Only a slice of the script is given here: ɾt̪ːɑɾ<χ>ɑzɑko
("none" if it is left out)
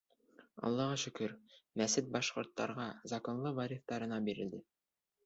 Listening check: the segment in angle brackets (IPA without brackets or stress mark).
ʁ